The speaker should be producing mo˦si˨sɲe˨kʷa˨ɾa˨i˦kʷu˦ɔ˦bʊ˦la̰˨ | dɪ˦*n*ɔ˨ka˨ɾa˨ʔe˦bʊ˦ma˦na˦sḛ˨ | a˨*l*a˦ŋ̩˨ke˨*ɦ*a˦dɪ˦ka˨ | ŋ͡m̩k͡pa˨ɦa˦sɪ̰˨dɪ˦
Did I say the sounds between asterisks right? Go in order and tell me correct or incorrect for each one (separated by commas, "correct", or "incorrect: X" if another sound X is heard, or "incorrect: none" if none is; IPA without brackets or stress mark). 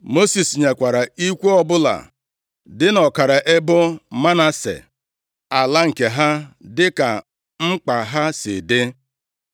correct, correct, correct